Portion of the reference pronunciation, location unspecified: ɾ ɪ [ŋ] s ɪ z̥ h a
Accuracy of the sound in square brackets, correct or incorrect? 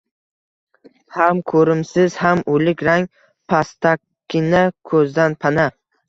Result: incorrect